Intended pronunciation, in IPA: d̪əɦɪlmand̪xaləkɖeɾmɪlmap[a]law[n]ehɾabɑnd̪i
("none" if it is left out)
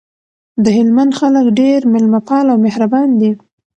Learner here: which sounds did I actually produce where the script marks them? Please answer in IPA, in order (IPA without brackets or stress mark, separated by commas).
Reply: ɑ, m